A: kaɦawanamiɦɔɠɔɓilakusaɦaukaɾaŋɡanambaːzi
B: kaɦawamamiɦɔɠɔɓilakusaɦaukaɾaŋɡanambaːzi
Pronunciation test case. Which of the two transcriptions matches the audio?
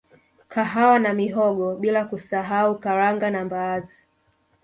A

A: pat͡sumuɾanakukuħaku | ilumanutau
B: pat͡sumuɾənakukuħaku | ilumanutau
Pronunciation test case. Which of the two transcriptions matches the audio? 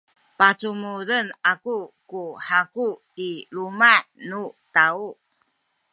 B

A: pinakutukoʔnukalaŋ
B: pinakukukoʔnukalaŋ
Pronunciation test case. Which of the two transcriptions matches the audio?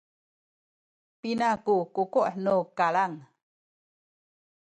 B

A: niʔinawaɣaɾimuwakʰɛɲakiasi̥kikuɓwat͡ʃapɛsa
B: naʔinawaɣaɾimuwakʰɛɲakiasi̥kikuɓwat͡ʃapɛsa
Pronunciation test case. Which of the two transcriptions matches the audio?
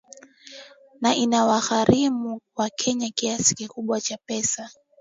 B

